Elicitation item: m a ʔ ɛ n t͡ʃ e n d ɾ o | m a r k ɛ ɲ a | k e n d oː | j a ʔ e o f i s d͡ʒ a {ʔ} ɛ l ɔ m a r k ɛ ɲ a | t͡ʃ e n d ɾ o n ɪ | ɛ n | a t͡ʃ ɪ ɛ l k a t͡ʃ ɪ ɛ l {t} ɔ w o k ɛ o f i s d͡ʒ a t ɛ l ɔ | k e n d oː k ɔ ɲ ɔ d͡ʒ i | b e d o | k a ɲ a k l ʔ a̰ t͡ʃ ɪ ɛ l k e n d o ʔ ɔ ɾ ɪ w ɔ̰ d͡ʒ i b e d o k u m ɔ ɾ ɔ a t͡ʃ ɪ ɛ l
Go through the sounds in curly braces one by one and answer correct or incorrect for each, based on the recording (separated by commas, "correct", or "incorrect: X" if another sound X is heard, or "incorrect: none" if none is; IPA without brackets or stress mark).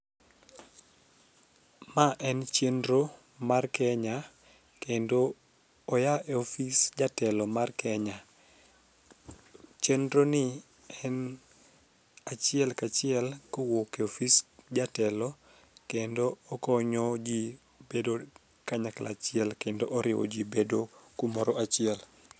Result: incorrect: t, incorrect: k